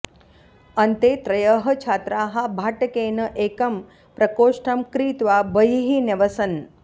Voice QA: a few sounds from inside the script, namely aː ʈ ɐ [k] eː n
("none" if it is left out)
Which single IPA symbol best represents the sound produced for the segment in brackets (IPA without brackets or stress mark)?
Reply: k